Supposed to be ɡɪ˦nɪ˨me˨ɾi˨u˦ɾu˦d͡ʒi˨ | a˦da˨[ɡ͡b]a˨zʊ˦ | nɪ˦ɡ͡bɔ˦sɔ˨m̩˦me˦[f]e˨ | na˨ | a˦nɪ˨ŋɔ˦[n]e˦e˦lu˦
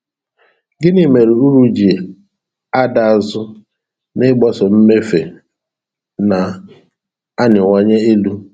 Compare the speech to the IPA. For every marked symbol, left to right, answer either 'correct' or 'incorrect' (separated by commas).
incorrect, correct, incorrect